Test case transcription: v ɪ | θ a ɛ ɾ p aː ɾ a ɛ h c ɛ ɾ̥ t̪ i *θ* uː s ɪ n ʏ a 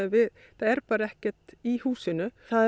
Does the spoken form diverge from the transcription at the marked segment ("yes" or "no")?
yes